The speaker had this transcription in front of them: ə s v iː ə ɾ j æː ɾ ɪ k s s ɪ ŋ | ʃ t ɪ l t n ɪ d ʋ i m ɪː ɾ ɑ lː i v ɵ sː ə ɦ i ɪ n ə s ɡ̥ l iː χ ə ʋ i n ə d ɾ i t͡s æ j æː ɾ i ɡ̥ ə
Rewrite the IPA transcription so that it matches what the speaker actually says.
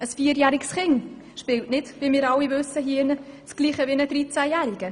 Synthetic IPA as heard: ə s f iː ə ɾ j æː ɾ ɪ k s χ ɪ ŋ | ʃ p ɪ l t n ɪ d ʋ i m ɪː ɾ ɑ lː i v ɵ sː ə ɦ i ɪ n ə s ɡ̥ l iː χ ə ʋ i n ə d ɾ i t͡s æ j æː ɾ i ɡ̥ ə

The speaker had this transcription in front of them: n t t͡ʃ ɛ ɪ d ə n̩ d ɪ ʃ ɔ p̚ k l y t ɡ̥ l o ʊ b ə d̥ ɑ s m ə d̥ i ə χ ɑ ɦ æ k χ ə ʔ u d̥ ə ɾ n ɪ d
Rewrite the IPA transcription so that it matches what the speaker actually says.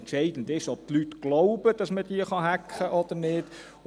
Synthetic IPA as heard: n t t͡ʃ ɛ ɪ d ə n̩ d ɪ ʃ ɔ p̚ t l y t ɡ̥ l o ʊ b ə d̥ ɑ s m ə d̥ i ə χ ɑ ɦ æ k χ ə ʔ ɔ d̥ ə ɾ n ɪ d

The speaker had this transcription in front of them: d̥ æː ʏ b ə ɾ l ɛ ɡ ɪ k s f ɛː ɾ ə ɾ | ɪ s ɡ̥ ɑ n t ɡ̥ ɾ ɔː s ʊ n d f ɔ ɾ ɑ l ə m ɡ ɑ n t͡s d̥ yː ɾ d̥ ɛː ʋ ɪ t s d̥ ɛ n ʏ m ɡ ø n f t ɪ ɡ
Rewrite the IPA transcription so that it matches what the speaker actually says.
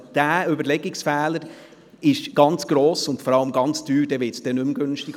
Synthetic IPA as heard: d̥ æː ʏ b ə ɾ l ɛ ɡ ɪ k s f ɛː l ə ɾ | ɪ ʃ ɡ̥ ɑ n t͡s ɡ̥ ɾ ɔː s ʊ n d f ɔ ɾ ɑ l ə m ɡ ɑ n t͡s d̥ yː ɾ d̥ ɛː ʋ ɪ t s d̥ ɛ n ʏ m ɡ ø n ʃ t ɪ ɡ

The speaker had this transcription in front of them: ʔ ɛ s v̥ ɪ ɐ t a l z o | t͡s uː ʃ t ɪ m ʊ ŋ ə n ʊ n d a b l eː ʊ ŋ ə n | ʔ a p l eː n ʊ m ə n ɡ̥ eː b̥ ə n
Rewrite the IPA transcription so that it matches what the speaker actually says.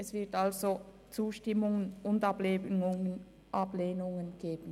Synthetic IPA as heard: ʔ ɛ s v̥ ɪ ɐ t a l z o | t͡s uː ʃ t ɪ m ʊ ŋ ə n ʊ n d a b l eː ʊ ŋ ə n | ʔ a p l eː n ʊ ŋ ə n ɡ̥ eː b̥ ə n

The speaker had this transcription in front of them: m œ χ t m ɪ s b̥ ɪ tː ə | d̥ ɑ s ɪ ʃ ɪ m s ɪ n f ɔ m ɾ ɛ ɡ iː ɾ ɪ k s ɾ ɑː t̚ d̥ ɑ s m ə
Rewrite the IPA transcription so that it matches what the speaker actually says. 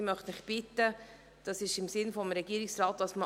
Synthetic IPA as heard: m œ χ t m ɪ χ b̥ ɪ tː ə | d̥ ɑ s ɪ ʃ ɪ m s ɪ n f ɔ m ɾ ɛ ɡ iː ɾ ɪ k s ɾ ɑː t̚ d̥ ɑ s m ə

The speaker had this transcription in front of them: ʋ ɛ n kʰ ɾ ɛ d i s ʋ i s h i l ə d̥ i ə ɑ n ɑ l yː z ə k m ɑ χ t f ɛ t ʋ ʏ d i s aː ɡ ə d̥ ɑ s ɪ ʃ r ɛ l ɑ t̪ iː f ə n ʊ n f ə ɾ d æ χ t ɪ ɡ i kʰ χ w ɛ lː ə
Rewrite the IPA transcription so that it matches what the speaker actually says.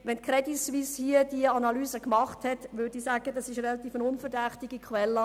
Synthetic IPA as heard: ʋ ɛ n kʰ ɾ ɛ d i s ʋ i s h i ə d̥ i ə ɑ n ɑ l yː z ə k m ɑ χ t h ɛ t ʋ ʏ d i s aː ɡ ə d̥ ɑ s ɪ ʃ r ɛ l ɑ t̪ iː f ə n ʊ n f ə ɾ d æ χ t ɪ ɡ i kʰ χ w ɛ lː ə

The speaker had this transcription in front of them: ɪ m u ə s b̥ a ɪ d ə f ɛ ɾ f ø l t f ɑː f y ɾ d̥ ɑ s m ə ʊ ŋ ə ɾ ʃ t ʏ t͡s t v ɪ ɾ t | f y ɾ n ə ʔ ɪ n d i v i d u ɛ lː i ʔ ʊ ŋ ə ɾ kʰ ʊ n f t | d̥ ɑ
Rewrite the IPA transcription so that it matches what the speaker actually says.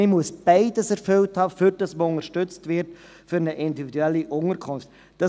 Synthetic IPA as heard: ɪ m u ə s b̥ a ɪ d ə s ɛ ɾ f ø l t h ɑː f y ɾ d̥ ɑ s m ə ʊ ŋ ə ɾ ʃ t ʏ t͡s t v ɪ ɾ t | f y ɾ n ə ʔ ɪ n d i v i d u ɛ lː i ʔ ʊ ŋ ə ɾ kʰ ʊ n f t | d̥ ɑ

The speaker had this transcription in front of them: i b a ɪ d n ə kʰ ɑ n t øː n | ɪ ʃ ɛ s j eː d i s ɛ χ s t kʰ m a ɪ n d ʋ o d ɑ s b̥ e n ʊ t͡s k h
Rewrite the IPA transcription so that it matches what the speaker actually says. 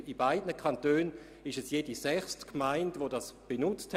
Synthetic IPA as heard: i b a ɪ d n ə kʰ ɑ n t øː n | ɪ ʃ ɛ s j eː d i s ɛ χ s t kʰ m a ɪ n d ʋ o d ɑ s b̥ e n ʊ t͡s t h

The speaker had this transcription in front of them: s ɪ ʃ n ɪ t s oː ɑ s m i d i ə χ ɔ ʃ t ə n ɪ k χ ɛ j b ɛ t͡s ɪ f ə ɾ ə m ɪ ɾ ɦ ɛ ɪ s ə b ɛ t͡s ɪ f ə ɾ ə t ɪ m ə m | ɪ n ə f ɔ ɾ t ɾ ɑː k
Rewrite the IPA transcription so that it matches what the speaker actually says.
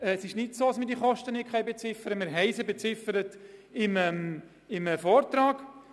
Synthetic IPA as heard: s ɪ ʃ n ɪ t s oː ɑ s m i d i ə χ ɔ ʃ t ə n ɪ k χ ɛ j b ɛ t͡s ɪ f ə ɾ ə m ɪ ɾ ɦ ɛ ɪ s ə b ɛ t͡s ɪ f ə ɾ ə t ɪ m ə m | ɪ m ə f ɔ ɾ t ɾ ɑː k

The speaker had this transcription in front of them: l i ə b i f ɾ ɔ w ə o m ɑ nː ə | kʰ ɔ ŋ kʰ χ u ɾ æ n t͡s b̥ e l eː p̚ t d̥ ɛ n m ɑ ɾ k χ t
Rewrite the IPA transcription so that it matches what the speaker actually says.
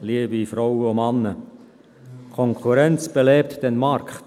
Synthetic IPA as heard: l i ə b i f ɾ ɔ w ə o m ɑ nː ə | kʰ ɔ ŋ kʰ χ u ɾ ɛ n t͡s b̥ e l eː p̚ t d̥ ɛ n m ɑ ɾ k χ t

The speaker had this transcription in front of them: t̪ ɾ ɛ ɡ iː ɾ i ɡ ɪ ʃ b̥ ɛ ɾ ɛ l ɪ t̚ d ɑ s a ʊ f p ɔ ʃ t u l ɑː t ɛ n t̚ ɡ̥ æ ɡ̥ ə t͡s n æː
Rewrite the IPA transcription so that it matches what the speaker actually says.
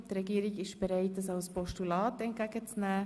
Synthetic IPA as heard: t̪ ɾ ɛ ɡ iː ɾ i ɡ ɪ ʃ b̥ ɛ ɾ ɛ ɪ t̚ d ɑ s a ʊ s p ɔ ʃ t u l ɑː t ɛ n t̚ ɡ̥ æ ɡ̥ ə t͡s n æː

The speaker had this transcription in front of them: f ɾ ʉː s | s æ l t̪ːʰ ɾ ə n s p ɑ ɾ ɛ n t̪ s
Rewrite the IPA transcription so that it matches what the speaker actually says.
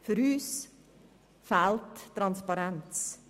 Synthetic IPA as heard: f ɾ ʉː s | f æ l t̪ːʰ ɾ ɑ n s p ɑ ɾ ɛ n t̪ s

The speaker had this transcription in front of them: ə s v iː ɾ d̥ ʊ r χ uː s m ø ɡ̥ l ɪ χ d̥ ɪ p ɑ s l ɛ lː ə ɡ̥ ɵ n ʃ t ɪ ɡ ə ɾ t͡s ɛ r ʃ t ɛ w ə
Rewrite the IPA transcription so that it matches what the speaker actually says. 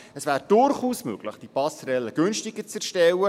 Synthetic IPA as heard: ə s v æː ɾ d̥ ʊ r χ uː s m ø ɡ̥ l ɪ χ d̥ i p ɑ s ɾ ɛ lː ə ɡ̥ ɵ n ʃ t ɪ ɡ ə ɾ t͡s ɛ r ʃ t ɛ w ə

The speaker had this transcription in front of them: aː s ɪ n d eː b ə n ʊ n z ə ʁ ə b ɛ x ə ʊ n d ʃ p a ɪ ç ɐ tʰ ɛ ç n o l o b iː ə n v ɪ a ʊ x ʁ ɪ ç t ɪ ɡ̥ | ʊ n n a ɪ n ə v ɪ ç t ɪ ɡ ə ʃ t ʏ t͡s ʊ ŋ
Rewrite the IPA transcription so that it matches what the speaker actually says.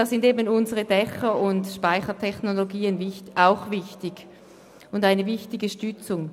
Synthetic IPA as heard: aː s ɪ n d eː b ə n ʊ n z ə ʁ ə d ɛ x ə ʊ n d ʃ p a ɪ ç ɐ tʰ ɛ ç n o l o ɡ iː ə n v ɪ a ʊ x v ɪ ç t ɪ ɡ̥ | ʊ n d a ɪ n ə v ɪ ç t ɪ ɡ ə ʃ t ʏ t͡s ʊ ŋ

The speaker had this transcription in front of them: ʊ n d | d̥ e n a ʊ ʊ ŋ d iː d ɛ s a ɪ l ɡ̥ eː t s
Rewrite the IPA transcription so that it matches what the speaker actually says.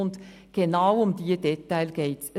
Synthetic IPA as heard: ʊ n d | ɡ̥ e n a ʊ ʊ m d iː d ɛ t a ɪ l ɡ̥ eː t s

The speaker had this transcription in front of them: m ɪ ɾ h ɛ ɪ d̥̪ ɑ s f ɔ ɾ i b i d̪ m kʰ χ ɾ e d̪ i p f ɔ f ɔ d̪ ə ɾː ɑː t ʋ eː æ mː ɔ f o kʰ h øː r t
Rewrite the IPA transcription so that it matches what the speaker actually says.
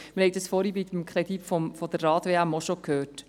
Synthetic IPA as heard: m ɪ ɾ h ɛ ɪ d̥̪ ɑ s f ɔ ɾ i b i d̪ m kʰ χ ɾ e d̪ i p f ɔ f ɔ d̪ ə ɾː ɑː t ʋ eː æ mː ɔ ʃ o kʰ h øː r t

